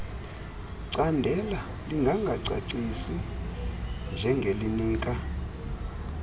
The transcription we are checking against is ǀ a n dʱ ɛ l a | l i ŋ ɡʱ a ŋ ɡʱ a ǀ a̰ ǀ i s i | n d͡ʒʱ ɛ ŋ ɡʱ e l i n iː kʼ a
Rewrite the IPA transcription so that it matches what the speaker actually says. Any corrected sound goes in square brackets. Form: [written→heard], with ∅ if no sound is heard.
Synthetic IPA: ǀ a n dʱ ɛ l a | l i ŋ ɡʱ a ŋ ɡʱ a ǀ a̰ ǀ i s i | n d͡ʒʱ ɛ ŋ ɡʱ e l i n iː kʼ a